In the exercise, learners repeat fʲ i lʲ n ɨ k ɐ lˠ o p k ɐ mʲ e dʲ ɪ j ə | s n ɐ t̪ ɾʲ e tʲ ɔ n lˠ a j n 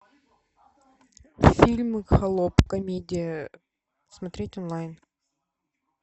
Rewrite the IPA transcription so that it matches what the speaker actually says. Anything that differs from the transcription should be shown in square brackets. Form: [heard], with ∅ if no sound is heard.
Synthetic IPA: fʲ i lʲ [m] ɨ [x] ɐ lˠ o p k ɐ mʲ e dʲ ɪ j ə | s [m] ɐ t̪ ɾʲ e tʲ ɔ n lˠ a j n